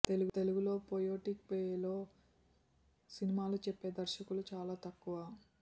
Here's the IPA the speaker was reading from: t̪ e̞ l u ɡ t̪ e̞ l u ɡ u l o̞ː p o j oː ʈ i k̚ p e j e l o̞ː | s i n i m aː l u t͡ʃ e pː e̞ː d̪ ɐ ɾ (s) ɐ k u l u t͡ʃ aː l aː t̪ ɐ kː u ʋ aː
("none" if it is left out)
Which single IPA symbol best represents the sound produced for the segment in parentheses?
ʃ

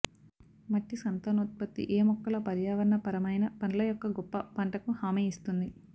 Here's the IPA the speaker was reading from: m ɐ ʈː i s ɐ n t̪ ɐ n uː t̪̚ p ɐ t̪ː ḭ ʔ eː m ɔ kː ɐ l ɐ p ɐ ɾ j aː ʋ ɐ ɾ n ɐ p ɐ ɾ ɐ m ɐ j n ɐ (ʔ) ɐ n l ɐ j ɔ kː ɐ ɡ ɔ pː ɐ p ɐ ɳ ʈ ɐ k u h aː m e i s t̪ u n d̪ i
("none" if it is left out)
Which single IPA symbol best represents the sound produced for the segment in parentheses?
p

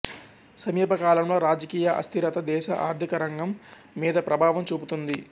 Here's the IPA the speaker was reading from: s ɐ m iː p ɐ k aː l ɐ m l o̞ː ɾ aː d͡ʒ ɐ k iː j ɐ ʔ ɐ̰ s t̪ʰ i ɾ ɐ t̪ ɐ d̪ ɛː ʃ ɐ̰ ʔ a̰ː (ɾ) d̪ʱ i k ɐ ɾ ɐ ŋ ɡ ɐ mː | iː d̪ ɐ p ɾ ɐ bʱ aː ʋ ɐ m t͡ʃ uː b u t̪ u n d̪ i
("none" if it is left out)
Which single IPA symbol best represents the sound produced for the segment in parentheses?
ɾ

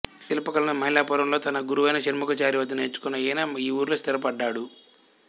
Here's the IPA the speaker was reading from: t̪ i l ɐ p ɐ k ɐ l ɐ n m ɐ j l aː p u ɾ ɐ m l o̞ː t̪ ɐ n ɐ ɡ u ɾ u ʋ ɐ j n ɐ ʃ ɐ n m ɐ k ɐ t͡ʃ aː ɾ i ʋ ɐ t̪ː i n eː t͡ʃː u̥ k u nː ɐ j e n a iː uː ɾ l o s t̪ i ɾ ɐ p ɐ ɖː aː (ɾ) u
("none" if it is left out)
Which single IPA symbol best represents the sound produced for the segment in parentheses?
ɽ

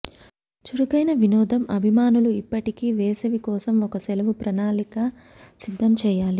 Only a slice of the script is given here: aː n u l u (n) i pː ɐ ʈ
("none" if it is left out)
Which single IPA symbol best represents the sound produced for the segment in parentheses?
none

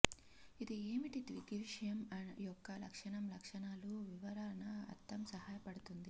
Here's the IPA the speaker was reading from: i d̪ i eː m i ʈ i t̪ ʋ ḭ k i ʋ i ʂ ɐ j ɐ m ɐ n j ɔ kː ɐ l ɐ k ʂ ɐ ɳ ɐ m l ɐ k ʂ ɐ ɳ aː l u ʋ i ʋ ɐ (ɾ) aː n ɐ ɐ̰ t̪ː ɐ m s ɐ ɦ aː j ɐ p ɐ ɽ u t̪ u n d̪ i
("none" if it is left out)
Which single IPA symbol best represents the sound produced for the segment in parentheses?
ɾ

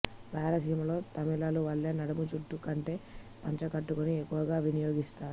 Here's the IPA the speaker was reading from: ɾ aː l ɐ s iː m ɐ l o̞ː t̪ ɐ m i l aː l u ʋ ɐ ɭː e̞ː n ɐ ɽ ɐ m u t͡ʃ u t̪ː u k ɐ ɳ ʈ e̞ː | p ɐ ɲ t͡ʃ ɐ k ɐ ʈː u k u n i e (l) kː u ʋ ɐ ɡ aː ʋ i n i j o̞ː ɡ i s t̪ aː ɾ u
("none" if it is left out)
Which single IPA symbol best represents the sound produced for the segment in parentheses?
none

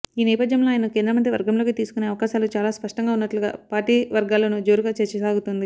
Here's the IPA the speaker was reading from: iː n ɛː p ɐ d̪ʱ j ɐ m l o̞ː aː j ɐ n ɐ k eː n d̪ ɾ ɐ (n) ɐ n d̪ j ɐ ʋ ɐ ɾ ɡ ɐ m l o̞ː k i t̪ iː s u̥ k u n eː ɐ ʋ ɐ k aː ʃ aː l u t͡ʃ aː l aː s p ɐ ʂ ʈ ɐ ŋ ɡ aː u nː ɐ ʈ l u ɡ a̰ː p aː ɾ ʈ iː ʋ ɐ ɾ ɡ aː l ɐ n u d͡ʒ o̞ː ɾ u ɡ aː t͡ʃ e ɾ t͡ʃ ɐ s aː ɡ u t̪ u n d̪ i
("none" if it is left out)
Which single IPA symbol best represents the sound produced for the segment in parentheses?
m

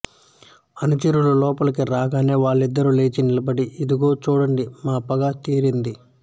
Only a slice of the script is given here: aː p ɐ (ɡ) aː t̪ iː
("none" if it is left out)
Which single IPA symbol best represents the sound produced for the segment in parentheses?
ɡ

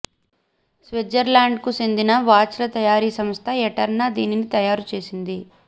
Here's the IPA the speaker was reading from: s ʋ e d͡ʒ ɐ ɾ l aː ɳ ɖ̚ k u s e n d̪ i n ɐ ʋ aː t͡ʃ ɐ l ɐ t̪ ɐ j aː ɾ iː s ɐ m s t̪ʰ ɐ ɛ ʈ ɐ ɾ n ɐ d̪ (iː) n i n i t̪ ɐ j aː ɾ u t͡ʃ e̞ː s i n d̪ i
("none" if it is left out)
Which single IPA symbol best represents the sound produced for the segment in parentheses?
iː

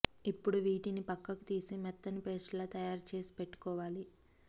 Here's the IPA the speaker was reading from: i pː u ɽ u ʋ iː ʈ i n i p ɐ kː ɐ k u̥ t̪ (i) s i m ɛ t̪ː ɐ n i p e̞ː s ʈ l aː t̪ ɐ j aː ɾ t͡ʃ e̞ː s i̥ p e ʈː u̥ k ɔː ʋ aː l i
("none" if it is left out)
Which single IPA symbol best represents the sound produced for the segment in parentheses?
iː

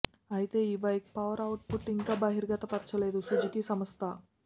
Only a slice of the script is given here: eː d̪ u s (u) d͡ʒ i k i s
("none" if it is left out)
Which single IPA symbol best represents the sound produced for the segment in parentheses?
u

